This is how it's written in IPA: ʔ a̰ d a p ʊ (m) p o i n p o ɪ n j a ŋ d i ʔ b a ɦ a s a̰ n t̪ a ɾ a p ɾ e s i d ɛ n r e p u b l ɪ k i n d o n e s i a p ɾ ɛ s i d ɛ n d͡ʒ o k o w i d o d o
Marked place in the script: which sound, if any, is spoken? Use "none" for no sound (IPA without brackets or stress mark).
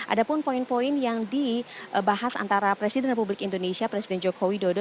n